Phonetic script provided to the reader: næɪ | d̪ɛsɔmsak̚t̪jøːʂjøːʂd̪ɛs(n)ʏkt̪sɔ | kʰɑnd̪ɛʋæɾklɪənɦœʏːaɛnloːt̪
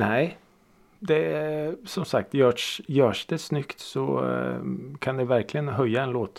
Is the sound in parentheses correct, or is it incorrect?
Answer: correct